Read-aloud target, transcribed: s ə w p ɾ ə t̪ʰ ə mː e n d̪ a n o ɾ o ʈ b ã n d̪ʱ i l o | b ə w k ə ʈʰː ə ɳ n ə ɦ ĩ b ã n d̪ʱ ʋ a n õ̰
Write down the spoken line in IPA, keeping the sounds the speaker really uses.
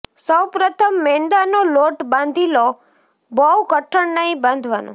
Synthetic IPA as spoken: s ə w p ɾ ə t̪ʰ ə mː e n d̪ a n o l o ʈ b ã n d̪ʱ i l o | b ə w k ə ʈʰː ə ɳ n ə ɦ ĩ b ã n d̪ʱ ʋ a n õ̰